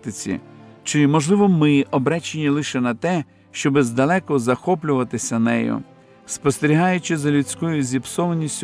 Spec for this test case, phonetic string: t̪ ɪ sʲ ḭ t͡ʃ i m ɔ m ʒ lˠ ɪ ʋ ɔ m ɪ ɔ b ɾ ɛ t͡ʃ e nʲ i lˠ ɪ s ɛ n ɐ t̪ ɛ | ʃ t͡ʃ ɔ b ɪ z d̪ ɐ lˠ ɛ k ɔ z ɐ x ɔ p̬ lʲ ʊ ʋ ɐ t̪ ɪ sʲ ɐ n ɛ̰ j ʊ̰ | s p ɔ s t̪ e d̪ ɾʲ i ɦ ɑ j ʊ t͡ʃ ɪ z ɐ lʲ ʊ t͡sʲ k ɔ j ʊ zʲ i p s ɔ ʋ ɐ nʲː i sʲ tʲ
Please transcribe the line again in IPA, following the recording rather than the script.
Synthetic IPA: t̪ ɪ t͡sʲ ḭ t͡ʃ ɪ m ɔ ʒ lˠ ɪ ʋ ɔ m ɪ ɔ b ɾ ɛ t͡ʃ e nʲ i lˠ ɪ ʃ ɛ n ɐ t̪ ɛ | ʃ t͡ʃ ɔ b ɪ z d̪ ɐ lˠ ɛ k ɔ z ɐ x ɔ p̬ lʲ ʊ ʋ ɐ t̪ ɪ sʲ ɐ n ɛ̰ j ʊ̰ | s p ɔ s t̪ e ɾʲ i ɦ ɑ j ʊ t͡ʃ ɪ z ɐ lʲ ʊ t͡sʲ k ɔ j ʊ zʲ i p s ɔ ʋ ɐ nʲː i sʲ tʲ